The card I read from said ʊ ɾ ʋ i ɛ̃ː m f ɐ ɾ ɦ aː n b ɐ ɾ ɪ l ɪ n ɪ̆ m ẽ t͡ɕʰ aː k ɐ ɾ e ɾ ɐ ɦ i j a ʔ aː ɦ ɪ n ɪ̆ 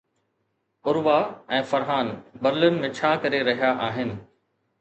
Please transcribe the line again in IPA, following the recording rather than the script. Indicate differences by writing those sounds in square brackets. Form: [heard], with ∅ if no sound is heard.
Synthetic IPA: ʊ ɾ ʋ [a] ɛ̃ː [∅] f ɐ ɾ ɦ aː n b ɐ ɾ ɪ l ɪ n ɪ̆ m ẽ t͡ɕʰ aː k ɐ ɾ e ɾ ɐ ɦ i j a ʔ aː ɦ ɪ n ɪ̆